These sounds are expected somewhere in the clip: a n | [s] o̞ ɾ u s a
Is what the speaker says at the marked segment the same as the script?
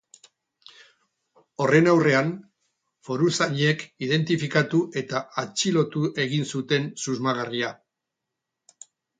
no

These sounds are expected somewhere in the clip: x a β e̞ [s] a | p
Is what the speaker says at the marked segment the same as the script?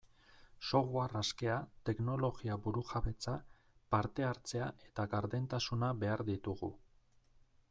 no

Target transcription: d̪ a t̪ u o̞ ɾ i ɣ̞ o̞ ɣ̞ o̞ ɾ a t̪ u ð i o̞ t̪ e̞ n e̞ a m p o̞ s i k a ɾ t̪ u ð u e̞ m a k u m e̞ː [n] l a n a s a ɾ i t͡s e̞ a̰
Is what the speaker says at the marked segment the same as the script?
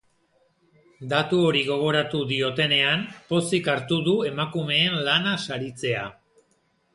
yes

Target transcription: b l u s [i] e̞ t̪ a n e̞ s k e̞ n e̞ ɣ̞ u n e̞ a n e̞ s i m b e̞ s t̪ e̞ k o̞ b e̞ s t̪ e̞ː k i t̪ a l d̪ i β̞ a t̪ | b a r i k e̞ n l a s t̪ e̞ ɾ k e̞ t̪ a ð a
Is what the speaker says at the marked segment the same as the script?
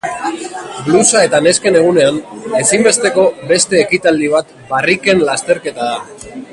no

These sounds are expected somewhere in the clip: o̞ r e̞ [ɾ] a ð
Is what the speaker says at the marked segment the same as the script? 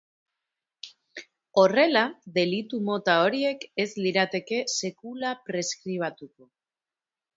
no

